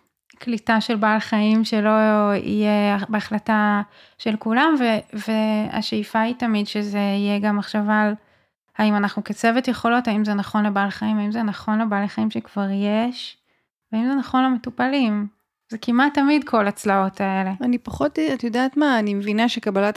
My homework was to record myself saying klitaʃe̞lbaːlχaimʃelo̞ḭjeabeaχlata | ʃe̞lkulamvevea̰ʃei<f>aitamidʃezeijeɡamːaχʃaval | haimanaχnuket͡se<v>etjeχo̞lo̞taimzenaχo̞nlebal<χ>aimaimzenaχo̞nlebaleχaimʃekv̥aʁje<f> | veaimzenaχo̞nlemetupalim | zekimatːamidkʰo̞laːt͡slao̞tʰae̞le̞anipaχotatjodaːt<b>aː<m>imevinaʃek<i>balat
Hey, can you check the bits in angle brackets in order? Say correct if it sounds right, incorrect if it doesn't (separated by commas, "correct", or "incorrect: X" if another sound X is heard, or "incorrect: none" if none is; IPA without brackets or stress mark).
correct, correct, correct, incorrect: ʃ, incorrect: m, incorrect: n, incorrect: a